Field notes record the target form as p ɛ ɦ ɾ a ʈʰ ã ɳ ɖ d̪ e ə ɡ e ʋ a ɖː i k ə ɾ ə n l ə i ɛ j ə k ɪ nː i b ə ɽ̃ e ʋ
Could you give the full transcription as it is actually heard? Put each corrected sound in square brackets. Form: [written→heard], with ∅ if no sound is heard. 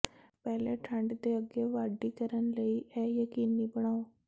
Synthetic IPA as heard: p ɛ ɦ [ɾ→l] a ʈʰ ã ɳ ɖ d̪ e ə ɡ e ʋ a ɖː i k ə ɾ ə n l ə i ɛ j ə k [ɪ→i] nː i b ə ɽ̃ [e→a] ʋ